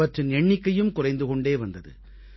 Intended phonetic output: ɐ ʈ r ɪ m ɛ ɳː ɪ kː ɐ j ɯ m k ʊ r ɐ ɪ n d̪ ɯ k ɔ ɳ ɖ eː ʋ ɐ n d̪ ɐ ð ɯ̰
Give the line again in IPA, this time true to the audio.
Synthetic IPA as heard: ɐ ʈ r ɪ n ɛ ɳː ɪ kː ɐ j ɯ m k ʊ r ɐ ɪ n d̪ ɯ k ɔ ɳ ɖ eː ʋ ɐ n d̪ ɐ ð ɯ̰

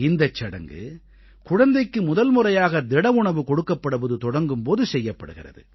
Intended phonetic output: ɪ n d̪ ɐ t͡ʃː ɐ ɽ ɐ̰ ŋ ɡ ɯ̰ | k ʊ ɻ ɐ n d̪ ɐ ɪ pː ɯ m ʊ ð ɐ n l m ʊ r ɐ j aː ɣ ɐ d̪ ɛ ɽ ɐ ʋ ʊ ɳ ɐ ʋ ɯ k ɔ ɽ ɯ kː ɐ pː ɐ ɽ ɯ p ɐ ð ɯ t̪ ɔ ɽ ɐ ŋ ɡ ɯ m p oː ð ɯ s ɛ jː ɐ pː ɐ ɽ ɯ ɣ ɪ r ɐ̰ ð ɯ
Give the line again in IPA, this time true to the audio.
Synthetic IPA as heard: ɪ n d̪ ɐ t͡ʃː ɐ ɽ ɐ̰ ŋ ɡ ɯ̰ | k ʊ ɻ ɐ n d̪ ɐ ɪ kː ɯ m ʊ ð ɐ l m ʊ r ɐ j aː ɣ ɐ d̪ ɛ ɽ ɐ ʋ ʊ ɳ ɐ ʋ ɯ k ɔ ɽ ɯ kː ɐ pː ɐ ɽ ɯ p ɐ ð ɯ t̪ ɔ ɽ ɐ ŋ ɡ ɯ m p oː ð ɯ s ɛ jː ɐ pː ɐ ɽ ɯ ɣ ɪ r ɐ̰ ð ɯ

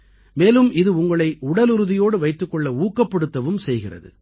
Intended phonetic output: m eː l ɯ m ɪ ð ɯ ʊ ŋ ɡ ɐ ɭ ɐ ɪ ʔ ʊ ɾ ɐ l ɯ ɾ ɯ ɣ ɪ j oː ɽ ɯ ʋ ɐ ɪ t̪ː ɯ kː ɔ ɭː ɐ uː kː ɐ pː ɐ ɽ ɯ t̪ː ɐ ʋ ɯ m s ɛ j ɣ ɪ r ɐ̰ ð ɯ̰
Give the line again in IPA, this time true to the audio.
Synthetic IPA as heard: m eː l ɯ m ɪ ð ɯ ʊ ŋ ɡ ɐ ɭ ɐ ɪ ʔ ʊ ɽ ɐ l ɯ ɾ ɯ ð ɪ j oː ɽ ɯ ʋ ɐ ɪ t̪ː ɯ kː ɔ ɭː ɐ uː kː ɐ pː ɐ ɽ ɯ t̪ː ɐ ʋ ɯ m s ɛ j ɣ ɪ r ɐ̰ ð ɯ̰

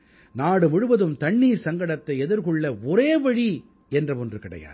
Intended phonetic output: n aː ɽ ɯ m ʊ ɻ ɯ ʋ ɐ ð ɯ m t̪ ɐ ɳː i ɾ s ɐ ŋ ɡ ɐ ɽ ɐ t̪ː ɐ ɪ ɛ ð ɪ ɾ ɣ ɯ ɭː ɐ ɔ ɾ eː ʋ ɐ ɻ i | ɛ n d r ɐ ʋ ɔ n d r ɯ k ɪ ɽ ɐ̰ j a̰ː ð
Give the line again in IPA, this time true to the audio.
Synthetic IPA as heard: n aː ɽ ɯ m ʊ ɻ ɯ ʋ ɐ ð ɯ m t̪ ɐ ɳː iː ɾ s ɐ ŋ ɡ ɐ ɽ ɐ t̪ː ɐ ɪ ɛ ð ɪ ɾ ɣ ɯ ɭː ɐ ɔ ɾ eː ʋ ɐ ɻ i | ɛ n d r ɐ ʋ ɔ n d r ɯ k ɪ ɽ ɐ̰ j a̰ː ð

